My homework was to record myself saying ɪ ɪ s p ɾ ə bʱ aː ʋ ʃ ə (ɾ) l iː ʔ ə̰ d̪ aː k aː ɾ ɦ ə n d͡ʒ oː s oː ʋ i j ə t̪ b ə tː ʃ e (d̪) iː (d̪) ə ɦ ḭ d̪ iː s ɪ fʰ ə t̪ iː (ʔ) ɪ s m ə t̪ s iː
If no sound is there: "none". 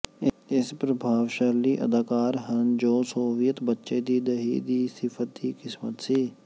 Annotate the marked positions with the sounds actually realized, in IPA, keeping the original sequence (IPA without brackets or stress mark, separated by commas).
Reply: ɾ, d̪, d̪, k